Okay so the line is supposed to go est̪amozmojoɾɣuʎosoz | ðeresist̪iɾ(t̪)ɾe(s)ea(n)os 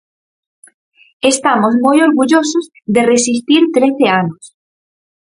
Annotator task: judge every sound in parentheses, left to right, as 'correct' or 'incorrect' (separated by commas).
correct, incorrect, correct